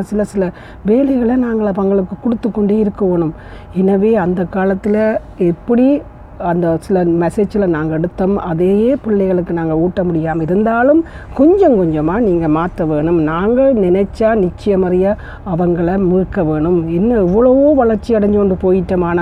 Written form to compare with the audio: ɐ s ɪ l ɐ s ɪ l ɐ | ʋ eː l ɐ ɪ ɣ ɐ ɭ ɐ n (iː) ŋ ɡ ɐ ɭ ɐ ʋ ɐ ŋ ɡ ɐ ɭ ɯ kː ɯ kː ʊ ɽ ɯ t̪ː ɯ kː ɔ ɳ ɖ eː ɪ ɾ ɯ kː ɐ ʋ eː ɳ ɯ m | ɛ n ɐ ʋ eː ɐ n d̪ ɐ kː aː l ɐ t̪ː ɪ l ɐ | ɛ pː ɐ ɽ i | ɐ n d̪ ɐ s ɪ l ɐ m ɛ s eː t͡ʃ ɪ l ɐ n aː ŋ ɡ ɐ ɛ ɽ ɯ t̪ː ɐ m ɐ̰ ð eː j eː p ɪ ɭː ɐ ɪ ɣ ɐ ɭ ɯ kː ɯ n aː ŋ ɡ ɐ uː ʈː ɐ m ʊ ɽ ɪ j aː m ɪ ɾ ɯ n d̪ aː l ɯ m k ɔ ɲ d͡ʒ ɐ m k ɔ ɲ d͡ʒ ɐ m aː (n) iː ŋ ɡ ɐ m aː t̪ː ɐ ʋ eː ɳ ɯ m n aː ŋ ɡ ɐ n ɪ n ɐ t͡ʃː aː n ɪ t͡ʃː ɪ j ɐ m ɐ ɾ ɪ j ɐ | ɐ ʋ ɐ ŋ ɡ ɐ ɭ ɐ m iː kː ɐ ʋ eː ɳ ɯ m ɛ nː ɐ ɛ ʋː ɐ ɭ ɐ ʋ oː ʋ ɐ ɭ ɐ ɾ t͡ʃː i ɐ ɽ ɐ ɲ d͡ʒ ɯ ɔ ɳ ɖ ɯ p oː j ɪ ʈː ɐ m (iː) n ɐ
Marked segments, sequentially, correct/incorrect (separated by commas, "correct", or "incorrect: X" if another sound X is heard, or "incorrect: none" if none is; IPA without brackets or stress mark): incorrect: aː, correct, incorrect: aː